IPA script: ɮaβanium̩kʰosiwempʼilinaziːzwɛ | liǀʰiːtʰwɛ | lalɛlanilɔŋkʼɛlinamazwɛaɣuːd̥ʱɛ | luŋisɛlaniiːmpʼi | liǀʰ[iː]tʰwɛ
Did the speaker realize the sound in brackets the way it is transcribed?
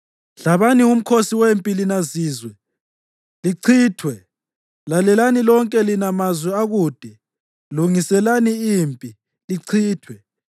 yes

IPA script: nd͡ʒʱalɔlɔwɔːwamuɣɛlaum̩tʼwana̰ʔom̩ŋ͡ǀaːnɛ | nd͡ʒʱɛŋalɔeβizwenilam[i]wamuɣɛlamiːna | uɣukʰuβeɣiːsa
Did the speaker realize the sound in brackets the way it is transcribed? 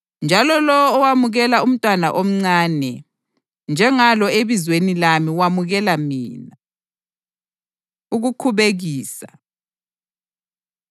yes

